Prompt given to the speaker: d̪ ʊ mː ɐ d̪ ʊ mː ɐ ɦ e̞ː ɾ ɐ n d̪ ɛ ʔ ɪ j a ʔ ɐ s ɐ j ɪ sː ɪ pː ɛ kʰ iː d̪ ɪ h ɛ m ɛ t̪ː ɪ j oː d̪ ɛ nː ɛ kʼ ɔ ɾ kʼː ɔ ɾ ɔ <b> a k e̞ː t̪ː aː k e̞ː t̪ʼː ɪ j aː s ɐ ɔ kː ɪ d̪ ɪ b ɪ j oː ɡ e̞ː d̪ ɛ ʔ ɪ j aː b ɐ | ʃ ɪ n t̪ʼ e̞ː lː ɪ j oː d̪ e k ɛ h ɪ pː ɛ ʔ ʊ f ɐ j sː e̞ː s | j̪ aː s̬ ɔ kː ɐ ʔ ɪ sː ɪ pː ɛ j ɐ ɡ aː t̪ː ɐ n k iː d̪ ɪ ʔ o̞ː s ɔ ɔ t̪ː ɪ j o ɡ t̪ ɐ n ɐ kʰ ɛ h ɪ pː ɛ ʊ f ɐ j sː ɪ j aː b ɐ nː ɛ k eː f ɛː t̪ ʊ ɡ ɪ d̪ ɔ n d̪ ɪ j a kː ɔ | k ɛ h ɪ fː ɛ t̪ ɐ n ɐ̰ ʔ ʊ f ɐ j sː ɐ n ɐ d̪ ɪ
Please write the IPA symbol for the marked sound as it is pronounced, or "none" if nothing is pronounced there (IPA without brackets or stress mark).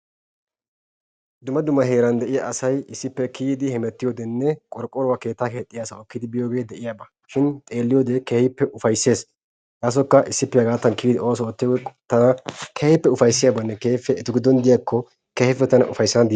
w